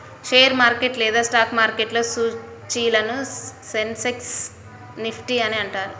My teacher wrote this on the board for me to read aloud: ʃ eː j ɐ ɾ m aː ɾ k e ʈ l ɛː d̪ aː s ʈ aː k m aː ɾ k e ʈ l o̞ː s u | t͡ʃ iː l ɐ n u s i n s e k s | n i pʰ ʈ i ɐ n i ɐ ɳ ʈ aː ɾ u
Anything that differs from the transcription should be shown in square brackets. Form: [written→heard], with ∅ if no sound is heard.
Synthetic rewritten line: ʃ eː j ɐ ɾ m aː ɾ k e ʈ l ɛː d̪ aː s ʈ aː k m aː ɾ k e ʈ l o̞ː s u | t͡ʃ iː l ɐ n u s [i→e] n s e k s | n i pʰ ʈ i ɐ n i ɐ ɳ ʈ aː ɾ u